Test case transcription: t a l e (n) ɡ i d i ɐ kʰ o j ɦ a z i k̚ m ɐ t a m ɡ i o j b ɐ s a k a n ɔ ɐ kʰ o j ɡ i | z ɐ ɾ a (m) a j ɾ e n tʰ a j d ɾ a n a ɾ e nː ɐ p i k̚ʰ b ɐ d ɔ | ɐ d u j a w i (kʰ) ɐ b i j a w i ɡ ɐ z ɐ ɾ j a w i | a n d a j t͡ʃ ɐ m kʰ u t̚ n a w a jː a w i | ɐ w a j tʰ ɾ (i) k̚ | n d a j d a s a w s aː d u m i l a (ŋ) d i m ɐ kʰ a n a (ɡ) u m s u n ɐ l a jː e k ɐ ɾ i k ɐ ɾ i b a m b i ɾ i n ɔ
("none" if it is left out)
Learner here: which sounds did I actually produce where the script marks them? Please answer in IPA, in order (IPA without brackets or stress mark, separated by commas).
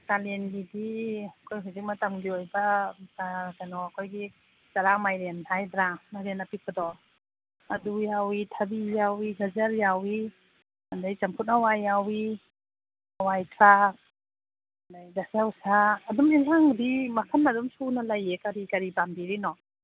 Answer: n, m, tʰ, a, ŋ, d